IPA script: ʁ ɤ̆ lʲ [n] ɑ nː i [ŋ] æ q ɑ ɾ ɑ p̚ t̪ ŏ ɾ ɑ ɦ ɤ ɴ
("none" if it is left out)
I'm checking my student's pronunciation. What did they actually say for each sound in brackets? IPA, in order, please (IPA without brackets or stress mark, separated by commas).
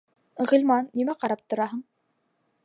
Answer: m, m